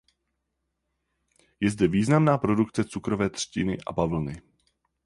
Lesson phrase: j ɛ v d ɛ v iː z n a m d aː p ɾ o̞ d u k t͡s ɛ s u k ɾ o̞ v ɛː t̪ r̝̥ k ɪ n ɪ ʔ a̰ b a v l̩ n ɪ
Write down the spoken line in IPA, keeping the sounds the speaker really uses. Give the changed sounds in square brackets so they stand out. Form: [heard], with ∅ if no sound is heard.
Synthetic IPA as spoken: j ɛ [z] d ɛ v iː z n a m [n] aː p ɾ o̞ d u k t͡s ɛ [t͡s] u k ɾ o̞ v ɛː t̪ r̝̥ [c] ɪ n ɪ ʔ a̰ b a v l̩ n ɪ

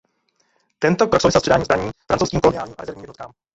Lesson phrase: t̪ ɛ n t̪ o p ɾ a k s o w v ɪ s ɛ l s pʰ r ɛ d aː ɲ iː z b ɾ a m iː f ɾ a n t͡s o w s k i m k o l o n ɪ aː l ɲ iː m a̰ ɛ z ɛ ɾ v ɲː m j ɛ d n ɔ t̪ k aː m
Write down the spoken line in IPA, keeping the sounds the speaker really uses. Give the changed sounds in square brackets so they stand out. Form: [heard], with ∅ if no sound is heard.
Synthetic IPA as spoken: t̪ ɛ n t̪ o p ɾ a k s o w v ɪ s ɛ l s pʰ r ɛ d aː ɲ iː z b ɾ a [ɲ] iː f ɾ a n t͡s o w s k i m k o l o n ɪ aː l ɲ iː m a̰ ɛ z ɛ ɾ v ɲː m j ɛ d n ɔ t̪ k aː m

